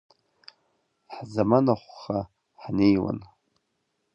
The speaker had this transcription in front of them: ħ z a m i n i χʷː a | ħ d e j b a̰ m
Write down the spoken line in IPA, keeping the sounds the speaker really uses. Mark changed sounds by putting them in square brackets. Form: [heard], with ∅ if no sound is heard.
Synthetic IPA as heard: ħ z a m [a] n [a] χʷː a | ħ [n] e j [w] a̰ [n]